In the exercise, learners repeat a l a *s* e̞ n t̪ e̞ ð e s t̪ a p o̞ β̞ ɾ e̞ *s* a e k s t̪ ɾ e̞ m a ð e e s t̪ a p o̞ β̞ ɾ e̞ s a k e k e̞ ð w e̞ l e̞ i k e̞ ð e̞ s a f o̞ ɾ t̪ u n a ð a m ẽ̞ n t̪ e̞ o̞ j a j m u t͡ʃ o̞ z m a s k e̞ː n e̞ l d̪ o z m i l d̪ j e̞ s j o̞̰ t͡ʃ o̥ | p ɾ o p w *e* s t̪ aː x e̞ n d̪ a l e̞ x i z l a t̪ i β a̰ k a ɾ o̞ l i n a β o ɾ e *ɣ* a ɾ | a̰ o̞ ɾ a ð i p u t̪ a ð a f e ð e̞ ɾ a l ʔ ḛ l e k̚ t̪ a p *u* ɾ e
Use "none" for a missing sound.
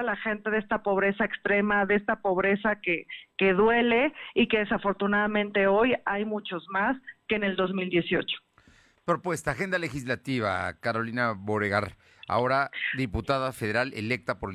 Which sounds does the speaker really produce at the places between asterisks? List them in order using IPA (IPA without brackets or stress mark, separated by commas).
x, s, e, ɣ, o